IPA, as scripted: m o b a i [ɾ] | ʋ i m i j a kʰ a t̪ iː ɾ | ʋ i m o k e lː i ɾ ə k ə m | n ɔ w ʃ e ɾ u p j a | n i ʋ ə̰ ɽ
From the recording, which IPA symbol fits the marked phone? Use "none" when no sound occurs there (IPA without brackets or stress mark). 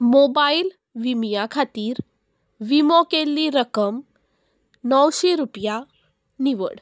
l